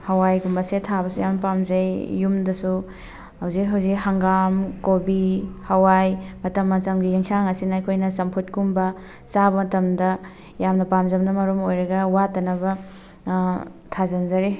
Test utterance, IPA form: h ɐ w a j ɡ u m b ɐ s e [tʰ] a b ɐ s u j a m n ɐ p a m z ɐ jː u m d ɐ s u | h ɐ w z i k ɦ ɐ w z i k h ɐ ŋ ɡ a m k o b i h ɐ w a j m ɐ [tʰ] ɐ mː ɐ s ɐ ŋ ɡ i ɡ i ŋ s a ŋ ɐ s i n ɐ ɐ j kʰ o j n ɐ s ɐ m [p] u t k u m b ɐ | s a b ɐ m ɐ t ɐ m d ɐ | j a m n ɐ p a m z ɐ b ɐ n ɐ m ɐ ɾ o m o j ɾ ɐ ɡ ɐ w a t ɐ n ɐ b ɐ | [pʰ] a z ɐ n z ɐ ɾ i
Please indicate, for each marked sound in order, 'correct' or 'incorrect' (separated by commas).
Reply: correct, incorrect, incorrect, incorrect